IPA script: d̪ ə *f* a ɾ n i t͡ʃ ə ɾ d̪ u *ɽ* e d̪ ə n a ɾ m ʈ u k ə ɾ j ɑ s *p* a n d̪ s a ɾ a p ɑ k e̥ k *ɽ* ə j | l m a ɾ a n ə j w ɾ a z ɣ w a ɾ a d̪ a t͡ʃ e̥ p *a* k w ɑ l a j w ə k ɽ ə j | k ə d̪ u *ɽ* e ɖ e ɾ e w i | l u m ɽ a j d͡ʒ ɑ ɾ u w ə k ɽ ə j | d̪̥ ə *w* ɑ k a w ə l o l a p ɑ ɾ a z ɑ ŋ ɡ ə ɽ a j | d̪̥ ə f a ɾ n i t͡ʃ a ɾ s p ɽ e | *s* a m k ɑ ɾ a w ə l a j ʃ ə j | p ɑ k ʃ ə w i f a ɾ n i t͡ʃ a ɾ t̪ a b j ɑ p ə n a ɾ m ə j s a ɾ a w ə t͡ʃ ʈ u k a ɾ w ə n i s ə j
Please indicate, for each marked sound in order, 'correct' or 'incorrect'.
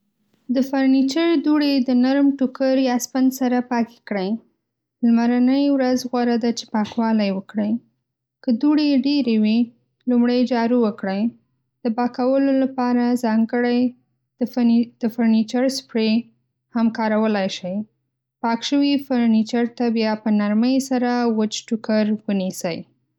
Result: correct, correct, correct, correct, incorrect: ɑ, correct, incorrect: b, incorrect: h

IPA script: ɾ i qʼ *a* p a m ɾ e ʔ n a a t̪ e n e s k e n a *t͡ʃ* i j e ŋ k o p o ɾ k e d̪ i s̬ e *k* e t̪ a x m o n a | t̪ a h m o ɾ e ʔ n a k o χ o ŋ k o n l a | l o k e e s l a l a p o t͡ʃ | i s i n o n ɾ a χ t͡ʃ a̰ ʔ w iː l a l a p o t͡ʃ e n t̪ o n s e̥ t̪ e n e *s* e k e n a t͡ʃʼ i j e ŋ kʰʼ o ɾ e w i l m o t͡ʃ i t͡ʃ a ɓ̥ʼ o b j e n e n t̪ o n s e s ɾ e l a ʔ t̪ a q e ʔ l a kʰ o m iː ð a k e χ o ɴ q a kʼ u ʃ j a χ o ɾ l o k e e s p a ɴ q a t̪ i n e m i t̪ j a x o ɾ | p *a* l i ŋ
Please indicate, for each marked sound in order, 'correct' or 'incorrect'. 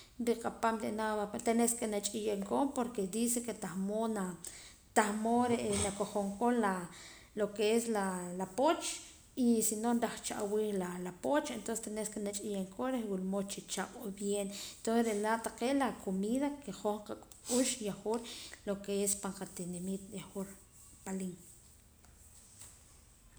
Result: correct, incorrect: t͡ʃʼ, correct, correct, correct

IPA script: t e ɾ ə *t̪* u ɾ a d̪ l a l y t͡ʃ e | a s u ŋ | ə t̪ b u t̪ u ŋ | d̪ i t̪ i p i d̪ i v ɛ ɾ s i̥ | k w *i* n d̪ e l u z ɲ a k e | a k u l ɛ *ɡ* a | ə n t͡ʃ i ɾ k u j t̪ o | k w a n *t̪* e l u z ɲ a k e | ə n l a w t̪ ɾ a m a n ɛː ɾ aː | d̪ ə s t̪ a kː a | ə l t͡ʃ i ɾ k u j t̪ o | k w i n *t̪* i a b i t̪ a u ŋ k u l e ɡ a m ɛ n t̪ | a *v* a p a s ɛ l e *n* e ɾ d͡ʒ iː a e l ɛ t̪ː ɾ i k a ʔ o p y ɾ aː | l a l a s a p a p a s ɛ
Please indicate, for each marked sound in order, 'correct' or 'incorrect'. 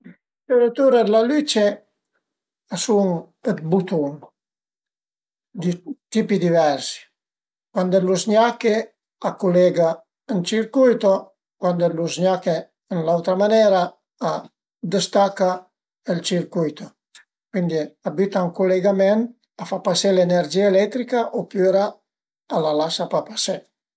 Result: correct, incorrect: a, correct, incorrect: d̪, incorrect: d̪, incorrect: f, correct

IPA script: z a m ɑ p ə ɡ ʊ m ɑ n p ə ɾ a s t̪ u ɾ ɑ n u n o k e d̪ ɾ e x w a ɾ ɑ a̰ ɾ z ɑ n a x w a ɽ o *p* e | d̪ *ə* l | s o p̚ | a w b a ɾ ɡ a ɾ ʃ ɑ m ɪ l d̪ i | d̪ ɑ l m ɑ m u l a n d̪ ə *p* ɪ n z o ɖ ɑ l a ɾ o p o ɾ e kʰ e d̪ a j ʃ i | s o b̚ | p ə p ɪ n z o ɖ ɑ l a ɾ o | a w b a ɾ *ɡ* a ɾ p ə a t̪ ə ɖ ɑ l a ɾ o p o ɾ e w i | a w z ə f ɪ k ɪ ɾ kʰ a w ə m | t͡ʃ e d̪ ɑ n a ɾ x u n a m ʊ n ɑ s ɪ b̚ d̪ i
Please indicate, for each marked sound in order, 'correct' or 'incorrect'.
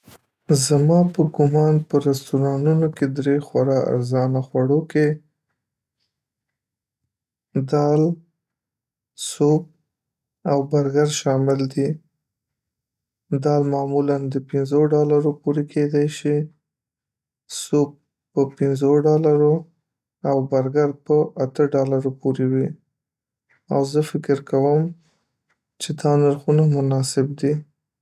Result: incorrect: k, incorrect: ɑ, correct, correct

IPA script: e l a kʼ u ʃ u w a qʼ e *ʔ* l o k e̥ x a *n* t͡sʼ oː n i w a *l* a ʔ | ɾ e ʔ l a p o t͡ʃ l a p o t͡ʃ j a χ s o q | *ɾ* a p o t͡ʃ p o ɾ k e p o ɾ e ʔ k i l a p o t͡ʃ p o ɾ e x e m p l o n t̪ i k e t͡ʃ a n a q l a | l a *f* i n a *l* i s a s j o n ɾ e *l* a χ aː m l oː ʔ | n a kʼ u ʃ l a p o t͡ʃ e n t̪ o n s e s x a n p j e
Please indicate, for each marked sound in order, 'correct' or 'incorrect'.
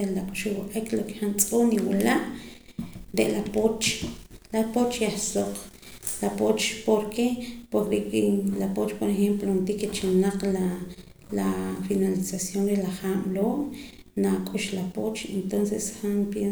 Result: incorrect: k, correct, correct, incorrect: l, correct, correct, correct

